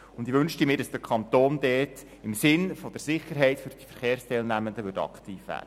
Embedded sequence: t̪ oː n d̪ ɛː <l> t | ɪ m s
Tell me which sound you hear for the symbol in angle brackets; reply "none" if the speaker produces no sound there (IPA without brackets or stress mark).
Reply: none